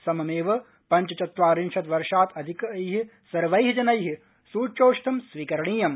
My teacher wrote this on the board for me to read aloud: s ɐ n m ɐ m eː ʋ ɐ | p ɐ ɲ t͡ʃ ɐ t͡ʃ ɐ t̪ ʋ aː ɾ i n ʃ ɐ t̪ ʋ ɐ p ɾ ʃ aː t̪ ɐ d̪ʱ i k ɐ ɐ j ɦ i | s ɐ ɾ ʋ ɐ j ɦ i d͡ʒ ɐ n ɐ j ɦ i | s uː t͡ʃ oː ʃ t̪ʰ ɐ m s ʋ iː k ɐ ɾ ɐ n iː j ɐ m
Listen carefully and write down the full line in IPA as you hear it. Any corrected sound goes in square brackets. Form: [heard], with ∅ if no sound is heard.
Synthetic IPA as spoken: s ɐ [∅] m ɐ m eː ʋ ɐ | p ɐ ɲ t͡ʃ ɐ t͡ʃ ɐ t̪ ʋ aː ɾ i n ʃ ɐ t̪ ʋ ɐ [∅] ɾ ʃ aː t̪ ɐ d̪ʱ i k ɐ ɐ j ɦ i | s ɐ ɾ ʋ ɐ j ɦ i d͡ʒ ɐ n ɐ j ɦ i | s uː t͡ʃ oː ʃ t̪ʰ ɐ m s ʋ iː k ɐ ɾ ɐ [ɳ] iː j ɐ m